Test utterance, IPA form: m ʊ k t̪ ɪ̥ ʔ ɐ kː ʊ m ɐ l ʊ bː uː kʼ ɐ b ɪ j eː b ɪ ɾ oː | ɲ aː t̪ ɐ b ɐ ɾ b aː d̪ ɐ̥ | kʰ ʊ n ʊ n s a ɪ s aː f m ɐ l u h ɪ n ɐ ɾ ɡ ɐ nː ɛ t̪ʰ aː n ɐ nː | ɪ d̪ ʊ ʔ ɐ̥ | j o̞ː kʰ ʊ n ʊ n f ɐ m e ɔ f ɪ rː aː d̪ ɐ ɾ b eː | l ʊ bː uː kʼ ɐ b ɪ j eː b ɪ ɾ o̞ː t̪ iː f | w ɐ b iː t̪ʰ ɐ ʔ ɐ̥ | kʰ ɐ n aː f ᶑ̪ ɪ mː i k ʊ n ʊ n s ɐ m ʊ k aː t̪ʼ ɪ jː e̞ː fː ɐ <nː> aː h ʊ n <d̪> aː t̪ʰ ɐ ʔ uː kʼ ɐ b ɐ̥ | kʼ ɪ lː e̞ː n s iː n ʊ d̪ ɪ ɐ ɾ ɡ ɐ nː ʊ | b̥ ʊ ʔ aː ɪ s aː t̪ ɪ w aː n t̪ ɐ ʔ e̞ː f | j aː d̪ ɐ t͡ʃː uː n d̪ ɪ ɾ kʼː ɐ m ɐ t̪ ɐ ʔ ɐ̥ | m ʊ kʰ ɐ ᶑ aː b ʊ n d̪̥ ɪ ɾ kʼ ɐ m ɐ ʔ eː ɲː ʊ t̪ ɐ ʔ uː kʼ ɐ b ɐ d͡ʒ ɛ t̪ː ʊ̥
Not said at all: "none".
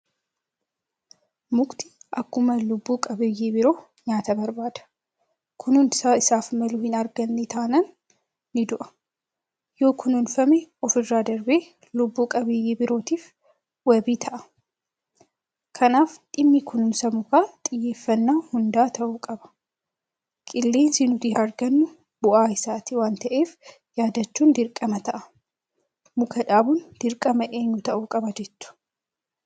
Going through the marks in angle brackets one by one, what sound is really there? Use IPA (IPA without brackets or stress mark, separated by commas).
nː, d̪